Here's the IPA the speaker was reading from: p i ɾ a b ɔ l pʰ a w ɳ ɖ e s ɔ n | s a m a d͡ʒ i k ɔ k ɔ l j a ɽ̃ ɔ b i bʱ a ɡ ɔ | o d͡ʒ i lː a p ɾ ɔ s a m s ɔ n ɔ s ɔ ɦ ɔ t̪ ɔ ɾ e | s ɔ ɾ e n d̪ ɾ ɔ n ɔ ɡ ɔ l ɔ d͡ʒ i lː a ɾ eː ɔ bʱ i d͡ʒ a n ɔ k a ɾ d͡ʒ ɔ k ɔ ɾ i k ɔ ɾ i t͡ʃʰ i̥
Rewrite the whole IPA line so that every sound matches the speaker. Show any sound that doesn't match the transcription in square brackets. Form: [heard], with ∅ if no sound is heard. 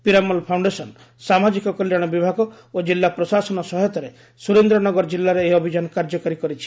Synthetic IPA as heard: p i ɾ a [m] ɔ l pʰ a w ɳ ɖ e s ɔ n | s a m a d͡ʒ i k ɔ k ɔ l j a ɽ̃ ɔ b i bʱ a ɡ ɔ | o d͡ʒ i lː a p ɾ ɔ s a [∅] s ɔ n ɔ s ɔ ɦ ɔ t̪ ɔ ɾ e | s [u] ɾ e n d̪ ɾ ɔ n ɔ ɡ ɔ [ɾ] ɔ d͡ʒ i lː a ɾ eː ɔ bʱ i d͡ʒ a n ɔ k a ɾ d͡ʒ ɔ k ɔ ɾ i k ɔ ɾ i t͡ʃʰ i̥